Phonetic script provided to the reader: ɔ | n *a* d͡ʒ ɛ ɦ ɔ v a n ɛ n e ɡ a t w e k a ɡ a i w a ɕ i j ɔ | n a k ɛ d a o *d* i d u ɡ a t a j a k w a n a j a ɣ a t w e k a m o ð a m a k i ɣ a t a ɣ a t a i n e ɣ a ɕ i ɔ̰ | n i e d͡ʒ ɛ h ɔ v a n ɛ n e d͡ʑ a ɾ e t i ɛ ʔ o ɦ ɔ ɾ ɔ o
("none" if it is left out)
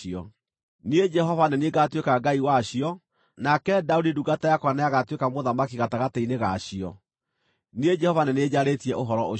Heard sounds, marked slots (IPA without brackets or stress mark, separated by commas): e, d